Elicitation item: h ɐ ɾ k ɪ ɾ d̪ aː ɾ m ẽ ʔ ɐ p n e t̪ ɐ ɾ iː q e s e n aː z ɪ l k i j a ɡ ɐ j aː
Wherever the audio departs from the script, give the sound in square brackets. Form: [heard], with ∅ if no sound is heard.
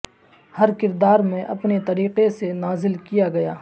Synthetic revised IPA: h ɐ ɾ k ɪ ɾ d̪ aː ɾ m ẽ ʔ ɐ p n e t̪ ɐ ɾ iː q e s e n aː z ɪ l k i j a ɡ ɐ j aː